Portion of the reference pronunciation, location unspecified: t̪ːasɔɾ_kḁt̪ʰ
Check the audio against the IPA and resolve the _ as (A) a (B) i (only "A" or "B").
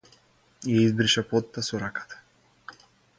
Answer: A